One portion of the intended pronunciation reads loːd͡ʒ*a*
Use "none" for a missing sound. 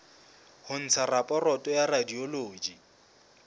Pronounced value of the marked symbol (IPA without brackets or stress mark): i